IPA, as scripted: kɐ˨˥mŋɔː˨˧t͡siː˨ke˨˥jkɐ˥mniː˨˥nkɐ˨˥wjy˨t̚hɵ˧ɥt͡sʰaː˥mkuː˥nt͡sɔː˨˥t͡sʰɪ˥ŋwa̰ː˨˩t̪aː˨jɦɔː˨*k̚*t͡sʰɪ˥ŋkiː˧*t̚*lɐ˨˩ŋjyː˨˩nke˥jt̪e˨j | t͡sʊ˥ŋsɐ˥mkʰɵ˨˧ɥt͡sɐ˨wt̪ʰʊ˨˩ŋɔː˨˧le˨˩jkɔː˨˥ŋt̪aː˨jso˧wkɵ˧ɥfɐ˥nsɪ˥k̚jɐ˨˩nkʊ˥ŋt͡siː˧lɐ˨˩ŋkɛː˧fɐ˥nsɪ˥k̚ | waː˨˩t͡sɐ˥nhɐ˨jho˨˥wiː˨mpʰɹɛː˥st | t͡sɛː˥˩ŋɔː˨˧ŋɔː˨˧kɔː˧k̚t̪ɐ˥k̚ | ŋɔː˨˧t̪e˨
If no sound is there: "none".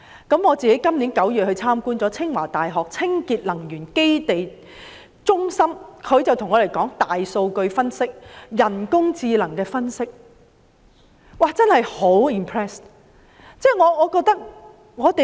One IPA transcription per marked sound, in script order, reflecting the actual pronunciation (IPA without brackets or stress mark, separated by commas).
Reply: k̚, t̚